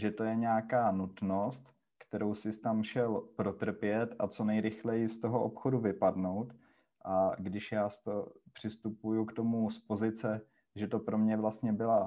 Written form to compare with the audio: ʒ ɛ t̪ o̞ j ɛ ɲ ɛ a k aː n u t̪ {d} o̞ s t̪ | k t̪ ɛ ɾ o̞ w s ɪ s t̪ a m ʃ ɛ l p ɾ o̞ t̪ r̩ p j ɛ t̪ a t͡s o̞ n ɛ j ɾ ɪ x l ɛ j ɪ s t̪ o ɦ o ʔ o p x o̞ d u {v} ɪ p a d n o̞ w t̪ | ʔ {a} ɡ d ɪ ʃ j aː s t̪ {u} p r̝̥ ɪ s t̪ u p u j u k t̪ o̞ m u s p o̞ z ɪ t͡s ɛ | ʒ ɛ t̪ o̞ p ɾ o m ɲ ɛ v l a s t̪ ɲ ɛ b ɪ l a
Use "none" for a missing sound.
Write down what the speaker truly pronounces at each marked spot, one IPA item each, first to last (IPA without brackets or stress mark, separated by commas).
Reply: n, v, a, o